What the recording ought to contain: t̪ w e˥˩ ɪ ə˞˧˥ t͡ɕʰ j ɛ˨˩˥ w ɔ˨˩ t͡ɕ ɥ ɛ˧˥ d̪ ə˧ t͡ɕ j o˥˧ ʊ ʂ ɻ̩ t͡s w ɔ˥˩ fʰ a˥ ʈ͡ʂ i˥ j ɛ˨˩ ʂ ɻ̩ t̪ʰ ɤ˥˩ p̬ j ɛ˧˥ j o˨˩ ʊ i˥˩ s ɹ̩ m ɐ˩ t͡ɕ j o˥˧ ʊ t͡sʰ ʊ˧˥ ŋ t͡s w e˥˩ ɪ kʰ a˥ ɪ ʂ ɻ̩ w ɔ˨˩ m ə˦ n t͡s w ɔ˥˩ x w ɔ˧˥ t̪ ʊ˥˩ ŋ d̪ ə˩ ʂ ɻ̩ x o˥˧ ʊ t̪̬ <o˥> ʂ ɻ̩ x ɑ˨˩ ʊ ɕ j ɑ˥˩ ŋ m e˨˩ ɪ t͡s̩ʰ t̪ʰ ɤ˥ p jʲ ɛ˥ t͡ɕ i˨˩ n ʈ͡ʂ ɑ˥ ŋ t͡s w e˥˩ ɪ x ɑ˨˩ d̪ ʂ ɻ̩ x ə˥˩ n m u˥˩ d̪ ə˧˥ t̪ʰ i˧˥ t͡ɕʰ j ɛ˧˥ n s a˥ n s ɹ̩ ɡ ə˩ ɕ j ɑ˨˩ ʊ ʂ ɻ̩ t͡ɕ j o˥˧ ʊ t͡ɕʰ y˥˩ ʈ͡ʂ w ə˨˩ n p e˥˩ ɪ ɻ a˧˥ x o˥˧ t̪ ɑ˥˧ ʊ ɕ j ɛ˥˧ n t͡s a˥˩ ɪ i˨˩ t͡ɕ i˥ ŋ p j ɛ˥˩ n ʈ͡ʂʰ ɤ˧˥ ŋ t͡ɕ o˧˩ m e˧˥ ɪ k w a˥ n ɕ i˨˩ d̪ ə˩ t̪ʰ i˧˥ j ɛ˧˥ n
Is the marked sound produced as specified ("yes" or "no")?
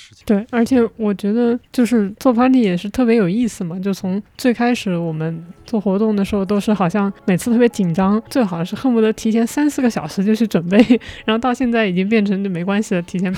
yes